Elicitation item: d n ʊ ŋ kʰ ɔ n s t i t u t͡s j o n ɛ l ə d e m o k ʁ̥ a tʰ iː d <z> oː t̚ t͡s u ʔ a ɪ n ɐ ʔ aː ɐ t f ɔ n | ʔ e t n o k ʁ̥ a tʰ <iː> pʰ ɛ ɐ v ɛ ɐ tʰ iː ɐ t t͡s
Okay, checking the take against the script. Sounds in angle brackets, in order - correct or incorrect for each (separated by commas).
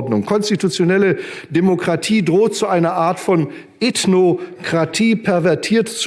incorrect, correct